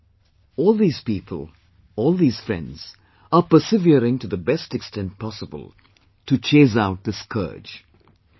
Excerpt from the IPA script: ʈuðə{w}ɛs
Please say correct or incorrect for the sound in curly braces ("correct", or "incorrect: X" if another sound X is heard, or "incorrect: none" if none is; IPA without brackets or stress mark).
incorrect: b